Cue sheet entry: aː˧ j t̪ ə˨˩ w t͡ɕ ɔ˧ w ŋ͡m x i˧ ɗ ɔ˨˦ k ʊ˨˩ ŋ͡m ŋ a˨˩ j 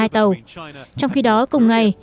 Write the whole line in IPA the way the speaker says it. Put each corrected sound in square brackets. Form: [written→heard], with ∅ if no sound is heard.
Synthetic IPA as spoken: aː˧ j t̪ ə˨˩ w t͡ɕ ɔ˧ w ŋ͡m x i˧ ɗ ɔ˨˦ k ʊ˨˩ ŋ͡m ŋ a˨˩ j